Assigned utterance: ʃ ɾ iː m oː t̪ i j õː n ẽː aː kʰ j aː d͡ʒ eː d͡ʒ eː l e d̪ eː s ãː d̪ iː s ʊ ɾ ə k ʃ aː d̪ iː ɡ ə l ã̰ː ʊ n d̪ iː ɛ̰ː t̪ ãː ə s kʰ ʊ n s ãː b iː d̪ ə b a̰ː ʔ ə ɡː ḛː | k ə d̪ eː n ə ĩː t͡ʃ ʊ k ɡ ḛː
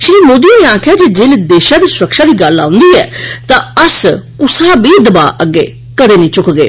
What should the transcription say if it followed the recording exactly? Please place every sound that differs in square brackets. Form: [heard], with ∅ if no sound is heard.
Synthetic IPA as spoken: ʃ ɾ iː m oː [d̪] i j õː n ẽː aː kʰ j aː d͡ʒ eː d͡ʒ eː l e d̪ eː [ʃ] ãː d̪ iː s ʊ ɾ ə k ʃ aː d̪ iː ɡ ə l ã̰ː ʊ n d̪ iː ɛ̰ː t̪ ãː ə s [k] ʊ [∅] s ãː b iː d̪ ə b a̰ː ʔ ə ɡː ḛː | k ə d̪ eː n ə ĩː t͡ʃ ʊ k ɡ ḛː